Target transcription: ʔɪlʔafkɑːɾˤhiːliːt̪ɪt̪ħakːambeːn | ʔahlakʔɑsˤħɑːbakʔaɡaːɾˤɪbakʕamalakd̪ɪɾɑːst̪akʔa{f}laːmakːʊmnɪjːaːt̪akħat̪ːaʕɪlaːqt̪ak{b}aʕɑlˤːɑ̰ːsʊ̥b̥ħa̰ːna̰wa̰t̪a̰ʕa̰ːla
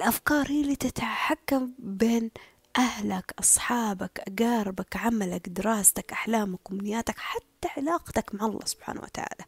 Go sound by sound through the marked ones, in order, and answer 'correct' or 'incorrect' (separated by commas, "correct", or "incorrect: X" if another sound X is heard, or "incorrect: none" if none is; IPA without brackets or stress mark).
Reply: incorrect: ħ, incorrect: m